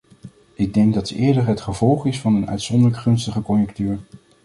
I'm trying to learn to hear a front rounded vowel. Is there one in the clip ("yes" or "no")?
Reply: yes